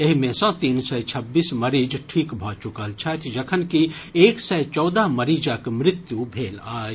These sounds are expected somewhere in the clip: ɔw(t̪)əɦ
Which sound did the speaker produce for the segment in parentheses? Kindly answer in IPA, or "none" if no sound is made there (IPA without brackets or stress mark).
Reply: d̪